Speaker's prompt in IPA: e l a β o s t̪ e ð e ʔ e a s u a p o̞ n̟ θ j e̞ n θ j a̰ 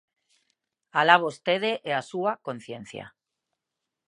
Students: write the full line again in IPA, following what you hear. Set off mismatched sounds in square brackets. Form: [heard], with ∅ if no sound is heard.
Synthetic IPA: [a] l a β o s t̪ e ð e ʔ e a s u a [k] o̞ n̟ θ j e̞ n θ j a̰